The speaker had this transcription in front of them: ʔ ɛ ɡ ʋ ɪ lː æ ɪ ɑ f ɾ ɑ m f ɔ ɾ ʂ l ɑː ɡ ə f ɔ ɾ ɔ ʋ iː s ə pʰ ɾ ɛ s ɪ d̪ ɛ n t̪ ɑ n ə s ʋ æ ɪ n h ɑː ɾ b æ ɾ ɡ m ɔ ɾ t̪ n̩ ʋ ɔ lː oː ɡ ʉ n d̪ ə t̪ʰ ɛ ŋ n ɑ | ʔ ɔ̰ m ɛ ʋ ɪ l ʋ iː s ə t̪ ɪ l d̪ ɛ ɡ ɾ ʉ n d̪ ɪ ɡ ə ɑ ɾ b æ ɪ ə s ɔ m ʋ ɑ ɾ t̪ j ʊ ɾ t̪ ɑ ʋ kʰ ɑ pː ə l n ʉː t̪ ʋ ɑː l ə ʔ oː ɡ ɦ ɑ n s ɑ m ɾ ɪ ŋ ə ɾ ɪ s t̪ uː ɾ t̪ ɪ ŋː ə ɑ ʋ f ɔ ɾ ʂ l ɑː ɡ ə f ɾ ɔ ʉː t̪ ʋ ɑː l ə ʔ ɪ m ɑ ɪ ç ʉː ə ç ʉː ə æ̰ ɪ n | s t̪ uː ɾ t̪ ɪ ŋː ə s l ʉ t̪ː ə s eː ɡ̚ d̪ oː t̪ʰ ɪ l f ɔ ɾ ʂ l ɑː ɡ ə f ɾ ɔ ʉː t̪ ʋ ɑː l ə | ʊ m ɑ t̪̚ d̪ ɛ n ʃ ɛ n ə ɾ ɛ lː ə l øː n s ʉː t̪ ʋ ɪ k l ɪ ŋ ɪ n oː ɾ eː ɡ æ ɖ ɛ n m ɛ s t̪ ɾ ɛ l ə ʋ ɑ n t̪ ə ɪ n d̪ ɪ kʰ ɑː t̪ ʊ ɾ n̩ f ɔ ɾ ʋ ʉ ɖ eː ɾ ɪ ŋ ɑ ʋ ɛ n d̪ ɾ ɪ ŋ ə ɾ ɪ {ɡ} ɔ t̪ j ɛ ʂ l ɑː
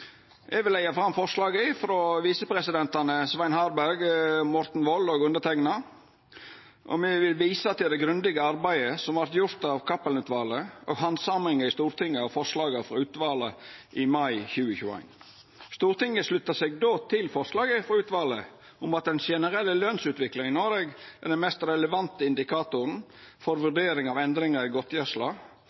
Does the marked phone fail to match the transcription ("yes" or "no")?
no